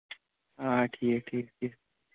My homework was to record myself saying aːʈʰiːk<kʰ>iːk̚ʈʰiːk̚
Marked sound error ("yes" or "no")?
yes